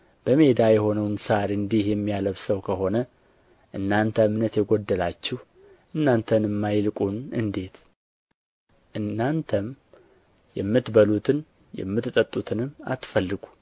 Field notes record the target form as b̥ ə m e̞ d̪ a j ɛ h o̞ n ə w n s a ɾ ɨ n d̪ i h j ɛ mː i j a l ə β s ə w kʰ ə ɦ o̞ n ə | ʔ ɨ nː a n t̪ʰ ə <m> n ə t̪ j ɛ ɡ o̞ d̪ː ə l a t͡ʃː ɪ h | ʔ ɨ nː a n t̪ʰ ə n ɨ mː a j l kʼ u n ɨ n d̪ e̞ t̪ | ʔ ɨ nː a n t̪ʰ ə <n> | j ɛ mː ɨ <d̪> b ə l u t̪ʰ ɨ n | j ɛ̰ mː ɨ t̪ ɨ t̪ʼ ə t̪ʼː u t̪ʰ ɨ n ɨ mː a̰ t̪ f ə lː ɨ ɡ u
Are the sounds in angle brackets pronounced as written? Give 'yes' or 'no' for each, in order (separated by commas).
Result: yes, no, no